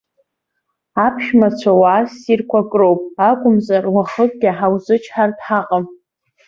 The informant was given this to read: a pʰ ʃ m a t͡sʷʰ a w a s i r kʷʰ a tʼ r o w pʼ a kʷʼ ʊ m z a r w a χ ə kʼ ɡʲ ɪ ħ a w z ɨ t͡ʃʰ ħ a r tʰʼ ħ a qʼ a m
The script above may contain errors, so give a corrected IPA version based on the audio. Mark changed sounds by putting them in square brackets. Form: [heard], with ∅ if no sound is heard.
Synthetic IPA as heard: a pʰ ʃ m a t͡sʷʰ a w a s i r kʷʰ a [kʼ] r o w pʼ a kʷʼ ʊ m z a r w a χ ə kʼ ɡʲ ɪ ħ a w z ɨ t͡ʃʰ ħ a r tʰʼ ħ a qʼ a m